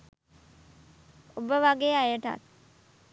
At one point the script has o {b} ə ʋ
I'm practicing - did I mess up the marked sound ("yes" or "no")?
no